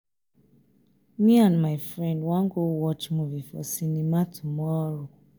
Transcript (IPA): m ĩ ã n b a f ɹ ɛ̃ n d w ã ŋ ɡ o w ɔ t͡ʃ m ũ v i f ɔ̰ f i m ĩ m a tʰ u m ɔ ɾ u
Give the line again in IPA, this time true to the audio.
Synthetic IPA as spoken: m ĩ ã n m a f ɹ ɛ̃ n d w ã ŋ ɡ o w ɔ t͡ʃ m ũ v i f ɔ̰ s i n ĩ m a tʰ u m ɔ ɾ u